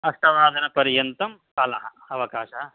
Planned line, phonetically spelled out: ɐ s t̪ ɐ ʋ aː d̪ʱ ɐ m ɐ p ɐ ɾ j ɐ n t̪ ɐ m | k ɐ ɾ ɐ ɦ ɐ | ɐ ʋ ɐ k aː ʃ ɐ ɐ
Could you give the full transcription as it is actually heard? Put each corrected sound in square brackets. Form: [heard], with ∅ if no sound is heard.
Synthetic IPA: ɐ s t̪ ɐ ʋ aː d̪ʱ ɐ [n] ɐ p ɐ ɾ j ɐ n t̪ ɐ m | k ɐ [l] ɐ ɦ ɐ | ɐ ʋ ɐ k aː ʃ ɐ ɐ